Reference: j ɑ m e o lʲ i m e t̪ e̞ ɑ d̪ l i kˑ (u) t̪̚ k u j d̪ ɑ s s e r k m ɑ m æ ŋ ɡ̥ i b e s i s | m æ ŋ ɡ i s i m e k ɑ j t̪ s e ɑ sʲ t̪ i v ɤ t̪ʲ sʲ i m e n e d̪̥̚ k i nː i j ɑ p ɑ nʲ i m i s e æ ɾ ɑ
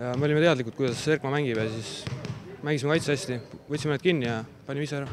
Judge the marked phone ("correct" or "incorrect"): correct